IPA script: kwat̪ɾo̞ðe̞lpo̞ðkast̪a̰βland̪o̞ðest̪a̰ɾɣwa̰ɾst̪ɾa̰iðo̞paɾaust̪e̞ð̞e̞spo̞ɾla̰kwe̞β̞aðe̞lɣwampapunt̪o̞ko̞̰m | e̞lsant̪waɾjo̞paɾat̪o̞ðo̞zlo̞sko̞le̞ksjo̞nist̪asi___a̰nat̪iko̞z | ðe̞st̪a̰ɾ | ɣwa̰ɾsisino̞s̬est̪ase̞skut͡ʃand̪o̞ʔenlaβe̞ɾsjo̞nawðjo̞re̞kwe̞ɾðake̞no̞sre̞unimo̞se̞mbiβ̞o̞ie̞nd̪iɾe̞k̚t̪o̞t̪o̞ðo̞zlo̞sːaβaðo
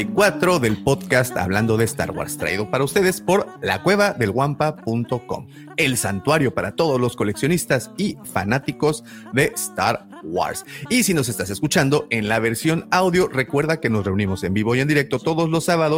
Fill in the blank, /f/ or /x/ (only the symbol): f